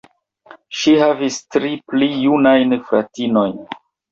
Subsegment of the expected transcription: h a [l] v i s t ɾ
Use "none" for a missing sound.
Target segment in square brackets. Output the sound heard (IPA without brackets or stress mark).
none